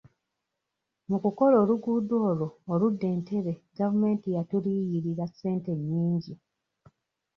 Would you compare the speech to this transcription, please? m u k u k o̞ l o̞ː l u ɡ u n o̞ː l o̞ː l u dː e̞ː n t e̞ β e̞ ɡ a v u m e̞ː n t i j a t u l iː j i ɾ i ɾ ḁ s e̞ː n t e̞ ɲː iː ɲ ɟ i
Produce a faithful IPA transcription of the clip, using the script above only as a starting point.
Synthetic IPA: m u k u k o̞ l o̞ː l u ɡ u d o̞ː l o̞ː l u dː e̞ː n t e̞ β e̞ ɡ a v u m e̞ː n t i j a t u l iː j i ɾ i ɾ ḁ s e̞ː n t e̞ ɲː iː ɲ ɟ i